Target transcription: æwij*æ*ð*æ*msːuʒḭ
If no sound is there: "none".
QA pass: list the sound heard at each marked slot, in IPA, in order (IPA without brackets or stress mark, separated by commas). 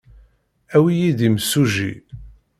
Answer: i, i